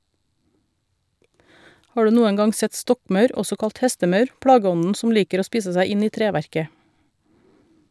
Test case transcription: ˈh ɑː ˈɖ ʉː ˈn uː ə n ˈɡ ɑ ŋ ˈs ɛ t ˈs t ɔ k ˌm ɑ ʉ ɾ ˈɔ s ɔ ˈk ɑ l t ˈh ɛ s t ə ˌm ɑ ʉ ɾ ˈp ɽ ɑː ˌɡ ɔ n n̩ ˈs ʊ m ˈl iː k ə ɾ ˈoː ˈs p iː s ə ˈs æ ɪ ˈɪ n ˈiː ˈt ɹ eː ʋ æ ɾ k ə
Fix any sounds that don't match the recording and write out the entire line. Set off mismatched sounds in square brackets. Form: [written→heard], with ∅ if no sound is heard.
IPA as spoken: ˈh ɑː ˈɖ ʉː ˈn uː ə n ˈɡ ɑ ŋ ˈs ɛ t ˈs t ɔ k ˌm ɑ ʉ ɾ ˈɔ s ɔ ˈk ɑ l t ˈh ɛ s t ə ˌm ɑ ʉ ɾ ˈp ɽ ɑː ˌɡ ɔ n n̩ ˈs ʊ m ˈl iː k ə ɾ ˈoː ˈs p iː s ə ˈs æ ɪ ˈɪ n ˈiː ˈt [ɹ→ɾ] eː ʋ æ ɾ k ə